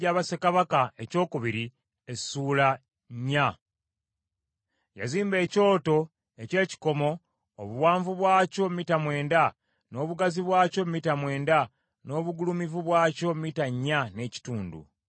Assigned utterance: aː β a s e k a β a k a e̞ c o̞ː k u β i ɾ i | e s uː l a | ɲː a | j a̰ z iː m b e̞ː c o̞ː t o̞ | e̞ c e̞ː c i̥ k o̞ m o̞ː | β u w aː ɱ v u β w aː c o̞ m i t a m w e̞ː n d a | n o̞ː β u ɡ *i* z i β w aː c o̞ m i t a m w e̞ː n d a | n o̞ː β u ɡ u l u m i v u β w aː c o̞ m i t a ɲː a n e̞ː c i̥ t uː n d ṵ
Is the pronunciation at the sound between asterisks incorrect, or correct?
incorrect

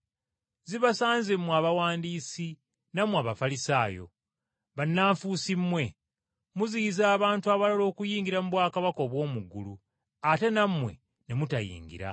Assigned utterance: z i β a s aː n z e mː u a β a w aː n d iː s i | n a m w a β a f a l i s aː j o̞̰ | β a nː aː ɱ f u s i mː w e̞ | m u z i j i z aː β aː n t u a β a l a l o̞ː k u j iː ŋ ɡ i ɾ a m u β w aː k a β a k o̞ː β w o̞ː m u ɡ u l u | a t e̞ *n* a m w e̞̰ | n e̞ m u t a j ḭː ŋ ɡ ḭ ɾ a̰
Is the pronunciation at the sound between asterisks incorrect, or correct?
correct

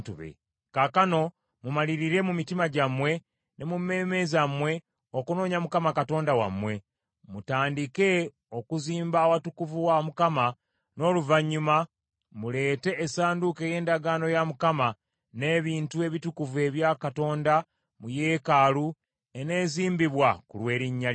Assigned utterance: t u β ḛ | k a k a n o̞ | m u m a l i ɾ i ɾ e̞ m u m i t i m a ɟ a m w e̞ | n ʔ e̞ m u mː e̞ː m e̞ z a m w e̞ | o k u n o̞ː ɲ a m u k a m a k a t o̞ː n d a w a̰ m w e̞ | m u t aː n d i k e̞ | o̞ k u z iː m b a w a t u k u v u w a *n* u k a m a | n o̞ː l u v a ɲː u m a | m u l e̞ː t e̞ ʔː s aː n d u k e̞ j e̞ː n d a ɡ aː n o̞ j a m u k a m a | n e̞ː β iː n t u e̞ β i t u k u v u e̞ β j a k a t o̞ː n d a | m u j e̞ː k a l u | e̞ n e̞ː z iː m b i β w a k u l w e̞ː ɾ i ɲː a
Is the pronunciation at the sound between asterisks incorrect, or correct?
incorrect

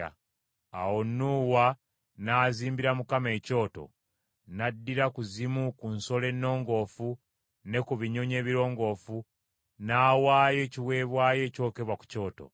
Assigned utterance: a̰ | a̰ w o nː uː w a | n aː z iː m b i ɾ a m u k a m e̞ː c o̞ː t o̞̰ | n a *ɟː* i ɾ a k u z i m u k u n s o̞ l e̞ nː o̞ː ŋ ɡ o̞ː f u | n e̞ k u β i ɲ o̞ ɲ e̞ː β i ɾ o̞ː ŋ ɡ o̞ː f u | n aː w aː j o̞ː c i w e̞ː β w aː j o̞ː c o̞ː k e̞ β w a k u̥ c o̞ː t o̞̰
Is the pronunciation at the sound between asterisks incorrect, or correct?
incorrect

